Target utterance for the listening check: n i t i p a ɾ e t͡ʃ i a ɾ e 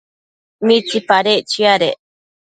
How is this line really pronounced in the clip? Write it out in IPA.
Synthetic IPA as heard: m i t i p a ɾ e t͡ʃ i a ɾ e